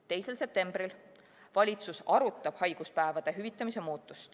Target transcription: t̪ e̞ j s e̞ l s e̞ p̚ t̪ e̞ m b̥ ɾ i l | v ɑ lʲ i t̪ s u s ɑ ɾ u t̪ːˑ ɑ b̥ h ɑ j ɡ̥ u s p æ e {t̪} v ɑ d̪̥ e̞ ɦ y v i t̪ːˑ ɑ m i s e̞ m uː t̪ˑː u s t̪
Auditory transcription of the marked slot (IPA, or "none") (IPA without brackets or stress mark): none